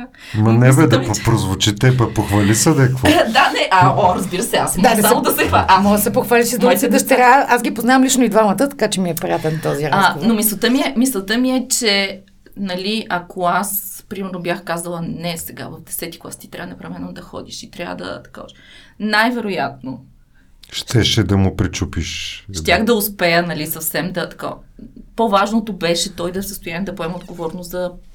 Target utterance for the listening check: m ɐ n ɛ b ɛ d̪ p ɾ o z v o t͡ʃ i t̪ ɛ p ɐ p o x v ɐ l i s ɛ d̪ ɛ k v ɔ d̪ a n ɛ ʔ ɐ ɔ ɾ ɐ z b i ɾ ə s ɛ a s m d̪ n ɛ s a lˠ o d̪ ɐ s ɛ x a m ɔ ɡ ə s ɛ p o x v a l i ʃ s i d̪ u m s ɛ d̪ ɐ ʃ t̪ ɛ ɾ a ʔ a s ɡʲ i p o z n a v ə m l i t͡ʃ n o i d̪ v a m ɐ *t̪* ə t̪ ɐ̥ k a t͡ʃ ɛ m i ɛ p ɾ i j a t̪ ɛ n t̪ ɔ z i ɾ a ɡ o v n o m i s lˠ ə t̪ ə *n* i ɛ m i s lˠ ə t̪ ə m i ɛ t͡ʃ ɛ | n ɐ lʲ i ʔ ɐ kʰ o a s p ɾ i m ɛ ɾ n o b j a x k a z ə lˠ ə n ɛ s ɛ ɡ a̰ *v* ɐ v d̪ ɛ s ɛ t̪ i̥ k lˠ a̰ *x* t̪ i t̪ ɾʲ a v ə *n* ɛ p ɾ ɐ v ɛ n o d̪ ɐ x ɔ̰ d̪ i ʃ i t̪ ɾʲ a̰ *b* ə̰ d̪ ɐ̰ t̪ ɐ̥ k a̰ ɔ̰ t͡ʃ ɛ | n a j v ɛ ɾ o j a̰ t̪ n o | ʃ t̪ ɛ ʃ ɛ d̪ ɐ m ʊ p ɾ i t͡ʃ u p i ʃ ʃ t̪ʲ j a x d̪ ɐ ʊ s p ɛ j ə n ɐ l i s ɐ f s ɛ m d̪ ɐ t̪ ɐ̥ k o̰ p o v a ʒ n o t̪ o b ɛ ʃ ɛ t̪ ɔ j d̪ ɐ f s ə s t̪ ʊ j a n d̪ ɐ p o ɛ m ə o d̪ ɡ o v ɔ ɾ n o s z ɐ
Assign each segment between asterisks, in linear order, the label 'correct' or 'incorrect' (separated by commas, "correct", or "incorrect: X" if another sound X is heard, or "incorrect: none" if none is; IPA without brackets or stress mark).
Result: correct, incorrect: m, correct, incorrect: s, correct, incorrect: v